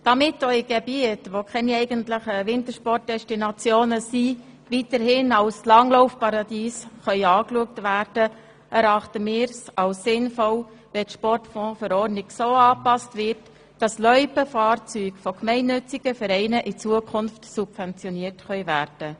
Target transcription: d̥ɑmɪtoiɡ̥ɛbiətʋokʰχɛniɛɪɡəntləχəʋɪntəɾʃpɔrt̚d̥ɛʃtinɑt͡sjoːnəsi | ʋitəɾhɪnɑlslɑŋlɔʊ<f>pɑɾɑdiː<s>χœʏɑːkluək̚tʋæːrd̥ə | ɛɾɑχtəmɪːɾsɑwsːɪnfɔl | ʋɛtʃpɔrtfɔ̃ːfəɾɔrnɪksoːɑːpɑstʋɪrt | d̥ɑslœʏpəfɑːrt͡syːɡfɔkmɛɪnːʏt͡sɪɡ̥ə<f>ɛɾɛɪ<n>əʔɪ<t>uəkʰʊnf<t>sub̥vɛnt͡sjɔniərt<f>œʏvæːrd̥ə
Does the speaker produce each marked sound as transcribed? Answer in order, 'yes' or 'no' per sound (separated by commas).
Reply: yes, yes, yes, yes, no, yes, no